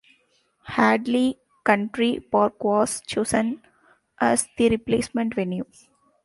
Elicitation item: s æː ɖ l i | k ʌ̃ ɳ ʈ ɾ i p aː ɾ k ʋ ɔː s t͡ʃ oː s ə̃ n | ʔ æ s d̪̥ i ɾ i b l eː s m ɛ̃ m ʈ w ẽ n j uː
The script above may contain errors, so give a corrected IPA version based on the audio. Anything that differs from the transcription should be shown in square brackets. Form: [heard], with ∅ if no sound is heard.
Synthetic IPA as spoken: [h] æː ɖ l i | k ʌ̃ ɳ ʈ ɾ i p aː ɾ k ʋ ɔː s t͡ʃ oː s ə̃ n | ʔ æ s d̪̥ i ɾ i [p] l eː s m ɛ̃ [ɳ] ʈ [ʋ] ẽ n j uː